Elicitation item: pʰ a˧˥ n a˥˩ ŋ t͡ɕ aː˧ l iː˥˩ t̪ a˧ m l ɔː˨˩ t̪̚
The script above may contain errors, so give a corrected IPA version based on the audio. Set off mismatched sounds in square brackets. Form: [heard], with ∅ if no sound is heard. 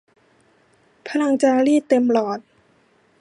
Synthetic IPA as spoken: pʰ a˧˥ n [a˧] ŋ t͡ɕ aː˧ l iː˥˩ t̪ [e˧] m l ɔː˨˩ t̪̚